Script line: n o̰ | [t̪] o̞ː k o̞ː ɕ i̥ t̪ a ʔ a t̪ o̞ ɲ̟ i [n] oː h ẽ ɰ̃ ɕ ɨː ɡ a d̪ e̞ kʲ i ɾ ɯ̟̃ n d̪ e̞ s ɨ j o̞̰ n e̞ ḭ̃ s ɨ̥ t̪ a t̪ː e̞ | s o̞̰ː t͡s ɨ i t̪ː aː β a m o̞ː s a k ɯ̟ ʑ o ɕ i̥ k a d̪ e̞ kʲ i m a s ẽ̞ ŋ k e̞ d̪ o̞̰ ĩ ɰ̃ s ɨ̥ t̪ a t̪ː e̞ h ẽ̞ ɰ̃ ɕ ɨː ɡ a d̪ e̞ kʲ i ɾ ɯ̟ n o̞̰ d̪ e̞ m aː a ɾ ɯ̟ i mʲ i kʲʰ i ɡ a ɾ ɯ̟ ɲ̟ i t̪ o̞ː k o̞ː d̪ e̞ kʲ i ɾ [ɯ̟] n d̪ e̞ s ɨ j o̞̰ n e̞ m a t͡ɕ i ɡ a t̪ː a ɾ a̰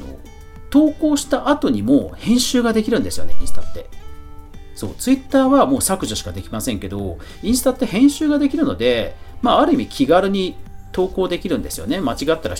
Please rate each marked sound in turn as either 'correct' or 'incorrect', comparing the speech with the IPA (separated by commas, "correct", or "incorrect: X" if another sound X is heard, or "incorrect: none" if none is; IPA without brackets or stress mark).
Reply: correct, incorrect: m, incorrect: ɯ̟̃